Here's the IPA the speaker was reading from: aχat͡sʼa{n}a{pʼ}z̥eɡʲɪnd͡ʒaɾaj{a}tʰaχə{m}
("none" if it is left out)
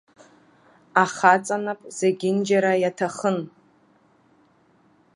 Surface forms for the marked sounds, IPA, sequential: n, pʼ, a, n

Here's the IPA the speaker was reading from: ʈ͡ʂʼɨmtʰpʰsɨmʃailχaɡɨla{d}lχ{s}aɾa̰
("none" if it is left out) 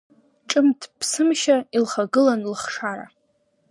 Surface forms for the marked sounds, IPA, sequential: n, ʂ

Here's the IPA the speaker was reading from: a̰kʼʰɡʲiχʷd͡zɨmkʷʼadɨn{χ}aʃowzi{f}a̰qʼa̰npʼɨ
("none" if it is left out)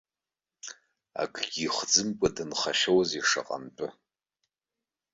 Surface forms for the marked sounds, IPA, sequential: χ, ʂ

